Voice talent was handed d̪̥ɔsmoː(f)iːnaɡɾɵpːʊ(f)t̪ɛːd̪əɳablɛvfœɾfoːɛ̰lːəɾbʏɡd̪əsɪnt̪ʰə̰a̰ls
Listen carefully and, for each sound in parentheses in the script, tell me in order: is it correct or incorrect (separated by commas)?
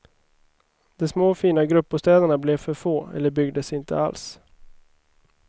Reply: correct, incorrect